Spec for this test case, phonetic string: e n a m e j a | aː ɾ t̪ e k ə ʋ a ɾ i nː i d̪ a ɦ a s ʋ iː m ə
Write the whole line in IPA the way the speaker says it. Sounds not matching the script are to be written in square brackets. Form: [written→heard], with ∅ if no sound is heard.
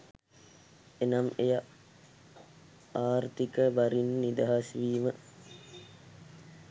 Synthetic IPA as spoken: e n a m e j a | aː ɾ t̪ [e→i] k ə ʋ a ɾ i nː i d̪ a ɦ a s ʋ iː m ə